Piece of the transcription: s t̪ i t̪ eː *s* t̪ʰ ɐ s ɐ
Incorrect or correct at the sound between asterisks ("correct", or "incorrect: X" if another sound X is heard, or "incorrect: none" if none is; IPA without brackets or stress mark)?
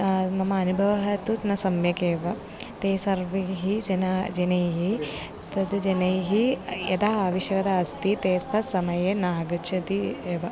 correct